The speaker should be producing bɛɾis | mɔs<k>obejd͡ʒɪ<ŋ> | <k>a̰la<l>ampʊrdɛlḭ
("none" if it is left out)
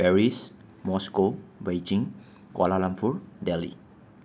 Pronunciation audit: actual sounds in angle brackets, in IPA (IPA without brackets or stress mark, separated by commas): k, ŋ, k, l